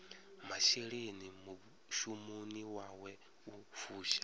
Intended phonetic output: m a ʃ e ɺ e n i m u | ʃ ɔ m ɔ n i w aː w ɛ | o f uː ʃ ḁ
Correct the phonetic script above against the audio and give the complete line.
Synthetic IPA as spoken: m a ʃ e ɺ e n i m u | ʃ u m u n i w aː w ɛ | u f uː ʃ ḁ